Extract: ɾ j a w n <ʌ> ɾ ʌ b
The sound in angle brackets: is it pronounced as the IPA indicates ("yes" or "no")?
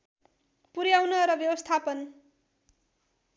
yes